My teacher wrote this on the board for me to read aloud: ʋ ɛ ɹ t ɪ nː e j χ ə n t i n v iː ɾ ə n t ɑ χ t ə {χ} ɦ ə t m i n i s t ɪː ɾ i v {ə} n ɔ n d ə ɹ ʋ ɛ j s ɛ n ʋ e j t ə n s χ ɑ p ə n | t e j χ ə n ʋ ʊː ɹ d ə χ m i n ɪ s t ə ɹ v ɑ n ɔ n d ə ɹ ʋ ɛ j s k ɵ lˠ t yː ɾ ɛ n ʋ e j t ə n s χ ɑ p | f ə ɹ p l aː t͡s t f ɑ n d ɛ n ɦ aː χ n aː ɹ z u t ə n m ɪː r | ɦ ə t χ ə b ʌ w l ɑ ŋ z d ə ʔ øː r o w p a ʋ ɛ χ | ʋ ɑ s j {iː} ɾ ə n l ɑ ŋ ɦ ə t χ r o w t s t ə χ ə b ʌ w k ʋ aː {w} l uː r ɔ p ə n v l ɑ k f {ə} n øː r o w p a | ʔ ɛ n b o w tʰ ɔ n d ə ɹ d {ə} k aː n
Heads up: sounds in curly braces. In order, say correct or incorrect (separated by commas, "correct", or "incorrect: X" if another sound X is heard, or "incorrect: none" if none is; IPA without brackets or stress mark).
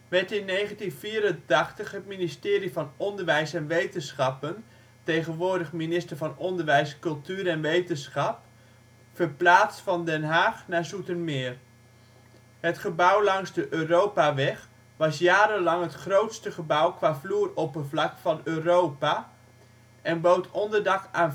correct, incorrect: ɑ, incorrect: aː, incorrect: v, incorrect: ɑ, incorrect: ɑ